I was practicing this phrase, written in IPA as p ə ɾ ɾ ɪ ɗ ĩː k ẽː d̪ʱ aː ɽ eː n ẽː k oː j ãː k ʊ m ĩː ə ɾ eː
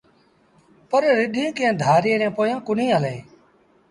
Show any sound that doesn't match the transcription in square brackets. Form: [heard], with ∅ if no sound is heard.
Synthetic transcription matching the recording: p ə ɾ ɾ ɪ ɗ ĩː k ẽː d̪ʱ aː [ɾ] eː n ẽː [p] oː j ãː k ʊ [n] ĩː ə [l] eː